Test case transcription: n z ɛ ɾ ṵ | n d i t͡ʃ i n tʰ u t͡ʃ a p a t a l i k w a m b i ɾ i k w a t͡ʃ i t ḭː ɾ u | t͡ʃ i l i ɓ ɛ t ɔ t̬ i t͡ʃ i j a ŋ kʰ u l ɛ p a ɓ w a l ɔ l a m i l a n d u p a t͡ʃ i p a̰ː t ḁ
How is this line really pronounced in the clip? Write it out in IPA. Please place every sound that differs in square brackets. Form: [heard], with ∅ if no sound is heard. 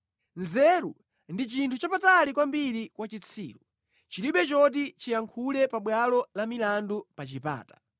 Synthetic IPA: n z ɛ ɾ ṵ | n d i t͡ʃ i n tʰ u t͡ʃ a p a t a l i k w a m b i ɾ i k w a t͡ʃ i [t͡sʰ] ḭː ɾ u | t͡ʃ i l i ɓ ɛ [t͡ʃ] ɔ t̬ i t͡ʃ i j a ŋ kʰ u l ɛ p a ɓ w a l ɔ l a m i l a n d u p a t͡ʃ i p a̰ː t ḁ

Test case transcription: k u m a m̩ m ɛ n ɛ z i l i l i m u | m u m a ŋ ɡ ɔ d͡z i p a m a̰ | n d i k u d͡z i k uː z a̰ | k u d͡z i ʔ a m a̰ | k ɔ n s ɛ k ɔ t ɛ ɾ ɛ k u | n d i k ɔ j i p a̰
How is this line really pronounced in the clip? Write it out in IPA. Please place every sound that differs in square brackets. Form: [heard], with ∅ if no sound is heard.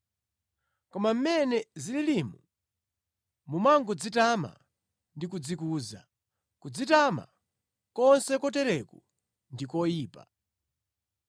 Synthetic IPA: k [ɔ] m a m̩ m ɛ n ɛ z i l i l i m u | m u m a ŋ ɡ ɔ d͡z i [t] a m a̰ | n d i k u d͡z i k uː z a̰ | k u d͡z i [t] a m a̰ | k ɔ n s ɛ k ɔ t ɛ ɾ ɛ k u | n d i k ɔ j [iː] p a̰

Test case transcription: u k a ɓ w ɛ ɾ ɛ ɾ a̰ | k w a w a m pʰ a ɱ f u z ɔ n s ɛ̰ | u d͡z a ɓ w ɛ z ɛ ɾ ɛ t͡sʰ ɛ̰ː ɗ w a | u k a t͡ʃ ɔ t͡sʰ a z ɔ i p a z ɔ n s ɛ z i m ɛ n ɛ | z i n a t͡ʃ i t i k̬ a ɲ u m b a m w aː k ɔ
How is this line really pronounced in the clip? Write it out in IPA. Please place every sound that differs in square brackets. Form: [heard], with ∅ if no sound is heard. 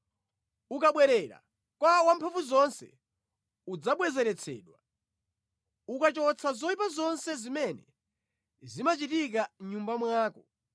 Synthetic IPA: u k a ɓ w ɛ ɾ ɛ ɾ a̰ | k w a w a m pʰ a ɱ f u z ɔ n s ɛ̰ | u d͡z a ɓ w ɛ z ɛ ɾ ɛ t͡sʰ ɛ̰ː ɗ w a | u k a t͡ʃ ɔ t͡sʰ a z ɔ i p a z ɔ n s ɛ z i m ɛ n ɛ | z i [m] a t͡ʃ i t i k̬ a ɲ u m b a m w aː k ɔ

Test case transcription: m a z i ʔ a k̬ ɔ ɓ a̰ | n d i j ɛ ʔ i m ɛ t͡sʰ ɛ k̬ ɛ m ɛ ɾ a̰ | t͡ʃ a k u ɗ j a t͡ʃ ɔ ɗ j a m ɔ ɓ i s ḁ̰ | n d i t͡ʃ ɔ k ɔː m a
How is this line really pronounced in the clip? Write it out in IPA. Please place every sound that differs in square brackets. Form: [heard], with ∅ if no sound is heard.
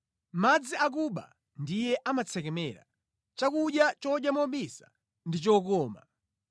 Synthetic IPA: m a [d͡z] i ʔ a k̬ [u] ɓ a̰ | n d i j ɛ ʔ [a] m [a] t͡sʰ ɛ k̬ ɛ m ɛ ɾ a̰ | t͡ʃ a k u ɗ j a t͡ʃ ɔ ɗ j a m ɔ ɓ i s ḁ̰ | n d i t͡ʃ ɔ k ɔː m a

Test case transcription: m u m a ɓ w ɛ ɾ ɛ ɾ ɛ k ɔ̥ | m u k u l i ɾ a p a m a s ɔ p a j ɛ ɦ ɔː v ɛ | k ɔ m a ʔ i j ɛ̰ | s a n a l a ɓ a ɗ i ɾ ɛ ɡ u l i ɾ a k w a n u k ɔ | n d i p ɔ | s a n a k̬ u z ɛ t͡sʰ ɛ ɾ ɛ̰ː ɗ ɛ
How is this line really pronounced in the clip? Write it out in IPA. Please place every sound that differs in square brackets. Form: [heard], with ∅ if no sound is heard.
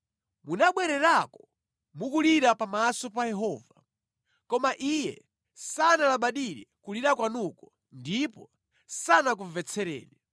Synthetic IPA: m u [n] a ɓ w ɛ ɾ ɛ ɾ [a] k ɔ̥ | m u k u l i ɾ a p a m a s ɔ p a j ɛ ɦ ɔː v [a] | k ɔ m a ʔ i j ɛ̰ | s a n a l a ɓ a ɗ i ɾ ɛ [k] u l i ɾ a k w a n u k ɔ | n d i p ɔ | s a n a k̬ u [v] ɛ t͡sʰ ɛ ɾ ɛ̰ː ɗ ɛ

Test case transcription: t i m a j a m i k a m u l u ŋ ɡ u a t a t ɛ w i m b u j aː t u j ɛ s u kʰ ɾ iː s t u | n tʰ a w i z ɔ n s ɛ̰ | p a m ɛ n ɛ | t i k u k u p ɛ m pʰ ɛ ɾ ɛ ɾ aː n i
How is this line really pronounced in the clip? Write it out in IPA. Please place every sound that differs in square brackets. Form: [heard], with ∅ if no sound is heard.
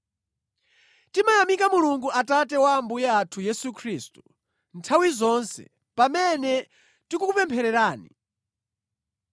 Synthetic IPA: t i m a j a m i k a m u l u ŋ ɡ u a t a t ɛ w [a] m b u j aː [tʰ] u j ɛ s u kʰ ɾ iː s t u | n tʰ a w i z ɔ n s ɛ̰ | p a m ɛ n ɛ | t i k u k u p ɛ m pʰ ɛ ɾ ɛ ɾ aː n i

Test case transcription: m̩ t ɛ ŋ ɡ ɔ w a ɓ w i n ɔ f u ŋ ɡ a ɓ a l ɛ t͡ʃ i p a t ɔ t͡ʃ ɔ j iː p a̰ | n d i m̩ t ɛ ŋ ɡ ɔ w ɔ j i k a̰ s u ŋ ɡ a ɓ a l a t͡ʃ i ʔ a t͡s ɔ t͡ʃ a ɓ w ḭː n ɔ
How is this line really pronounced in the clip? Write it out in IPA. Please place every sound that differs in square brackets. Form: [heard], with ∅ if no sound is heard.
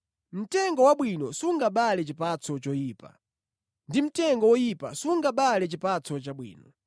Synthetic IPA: m̩ t ɛ ŋ ɡ ɔ w a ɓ w i n ɔ [s] u ŋ ɡ a ɓ a l ɛ t͡ʃ i p a [t͡s] ɔ t͡ʃ ɔ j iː p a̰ | n d i m̩ t ɛ ŋ ɡ ɔ w ɔ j i [p] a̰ s u ŋ ɡ a ɓ a l [ɛ] t͡ʃ i [p] a t͡s ɔ t͡ʃ a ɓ w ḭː n ɔ

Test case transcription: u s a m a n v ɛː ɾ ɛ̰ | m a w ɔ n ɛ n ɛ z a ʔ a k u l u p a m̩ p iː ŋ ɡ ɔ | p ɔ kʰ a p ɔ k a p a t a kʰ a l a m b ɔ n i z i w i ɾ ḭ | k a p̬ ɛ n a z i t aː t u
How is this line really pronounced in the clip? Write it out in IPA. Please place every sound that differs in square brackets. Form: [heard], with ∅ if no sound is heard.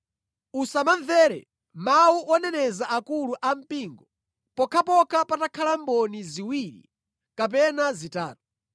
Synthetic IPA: u s a m a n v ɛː ɾ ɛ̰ | m a [u] ɔ n ɛ n ɛ z a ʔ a k u l u [ʔ] a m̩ p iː ŋ ɡ ɔ | p ɔ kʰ a p ɔ k a p a t a kʰ a l a m b ɔ n i z i w i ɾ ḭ | k a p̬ ɛ n a z i t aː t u

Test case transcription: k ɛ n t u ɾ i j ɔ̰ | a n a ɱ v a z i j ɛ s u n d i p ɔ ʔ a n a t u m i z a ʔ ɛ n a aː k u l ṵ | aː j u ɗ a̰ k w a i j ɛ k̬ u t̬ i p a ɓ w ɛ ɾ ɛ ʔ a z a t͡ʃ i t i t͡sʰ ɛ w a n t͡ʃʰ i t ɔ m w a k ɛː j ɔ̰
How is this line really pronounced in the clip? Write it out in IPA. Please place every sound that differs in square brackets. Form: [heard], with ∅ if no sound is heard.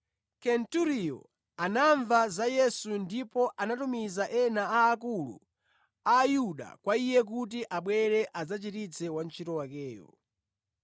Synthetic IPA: k ɛ n t u ɾ i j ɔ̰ | a n a ɱ v a z [a] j ɛ s u n d i p ɔ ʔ a n a t u m i z a ʔ ɛ n a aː k u l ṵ | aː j u ɗ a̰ k w a i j ɛ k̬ u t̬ i [ʔ] a ɓ w ɛ ɾ ɛ ʔ a z a t͡ʃ i t i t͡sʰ ɛ w a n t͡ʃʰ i t ɔ [∅] w a k ɛː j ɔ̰

